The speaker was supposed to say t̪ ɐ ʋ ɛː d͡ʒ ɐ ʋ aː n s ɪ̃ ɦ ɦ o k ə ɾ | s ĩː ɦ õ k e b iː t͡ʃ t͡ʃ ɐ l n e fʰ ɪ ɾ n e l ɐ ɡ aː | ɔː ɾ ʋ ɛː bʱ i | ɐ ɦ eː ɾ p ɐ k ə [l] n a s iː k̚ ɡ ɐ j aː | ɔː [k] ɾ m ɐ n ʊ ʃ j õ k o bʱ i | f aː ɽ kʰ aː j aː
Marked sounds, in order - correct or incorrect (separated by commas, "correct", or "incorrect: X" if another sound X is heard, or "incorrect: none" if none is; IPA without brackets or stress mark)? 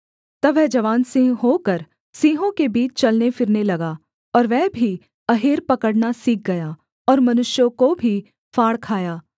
incorrect: ɽ, incorrect: none